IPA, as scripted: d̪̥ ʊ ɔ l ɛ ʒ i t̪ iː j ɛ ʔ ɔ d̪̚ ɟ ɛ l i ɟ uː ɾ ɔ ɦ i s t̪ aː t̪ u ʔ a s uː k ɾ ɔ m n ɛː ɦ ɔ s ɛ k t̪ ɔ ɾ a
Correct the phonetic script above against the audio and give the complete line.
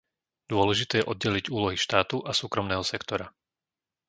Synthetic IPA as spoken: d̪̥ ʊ ɔ l ɛ ʒ i t̪ ɛː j ɛ ʔ ɔ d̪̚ ɟ ɛ l i ɟ uː l ɔ ɦ i ʃ t̪ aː t̪ u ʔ a s uː k ɾ ɔ m n ɛː ɦ ɔ s ɛ k t̪ ɔ ɾ a